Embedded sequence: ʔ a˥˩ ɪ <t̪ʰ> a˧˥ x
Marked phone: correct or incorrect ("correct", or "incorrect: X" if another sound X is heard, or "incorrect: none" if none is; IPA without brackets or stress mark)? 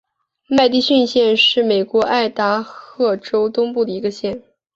incorrect: t̪